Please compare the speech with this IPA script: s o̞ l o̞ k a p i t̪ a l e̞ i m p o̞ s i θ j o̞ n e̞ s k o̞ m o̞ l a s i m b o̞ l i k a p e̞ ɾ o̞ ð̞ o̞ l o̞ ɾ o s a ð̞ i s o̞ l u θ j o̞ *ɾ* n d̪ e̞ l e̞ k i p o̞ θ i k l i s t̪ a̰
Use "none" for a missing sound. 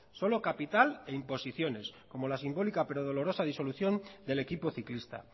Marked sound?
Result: none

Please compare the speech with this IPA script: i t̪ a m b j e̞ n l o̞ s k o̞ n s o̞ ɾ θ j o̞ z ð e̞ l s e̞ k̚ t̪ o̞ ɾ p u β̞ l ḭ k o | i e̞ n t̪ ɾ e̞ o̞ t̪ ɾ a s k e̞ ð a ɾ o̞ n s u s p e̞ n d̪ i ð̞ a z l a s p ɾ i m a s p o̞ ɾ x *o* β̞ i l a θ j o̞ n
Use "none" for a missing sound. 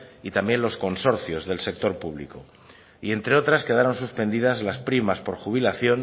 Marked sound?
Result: u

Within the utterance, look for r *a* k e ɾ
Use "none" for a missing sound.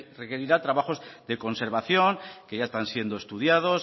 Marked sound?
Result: e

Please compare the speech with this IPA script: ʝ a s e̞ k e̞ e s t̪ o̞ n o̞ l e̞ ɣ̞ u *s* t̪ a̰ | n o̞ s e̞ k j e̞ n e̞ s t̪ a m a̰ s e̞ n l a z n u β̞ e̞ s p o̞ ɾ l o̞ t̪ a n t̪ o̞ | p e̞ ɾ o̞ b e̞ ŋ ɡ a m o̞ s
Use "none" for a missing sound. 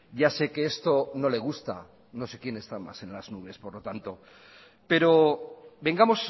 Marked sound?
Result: s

